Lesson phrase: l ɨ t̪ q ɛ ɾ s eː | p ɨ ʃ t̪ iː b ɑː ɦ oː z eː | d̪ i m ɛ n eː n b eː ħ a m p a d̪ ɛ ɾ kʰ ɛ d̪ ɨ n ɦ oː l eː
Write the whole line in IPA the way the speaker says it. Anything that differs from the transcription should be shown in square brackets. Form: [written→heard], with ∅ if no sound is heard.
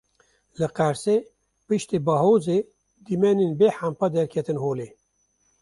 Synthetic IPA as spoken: l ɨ [t̪→∅] q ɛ ɾ s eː | p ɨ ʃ t̪ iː b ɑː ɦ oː z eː | d̪ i m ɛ n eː n b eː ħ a m p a d̪ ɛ ɾ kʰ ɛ [d̪→t̪] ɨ n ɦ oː l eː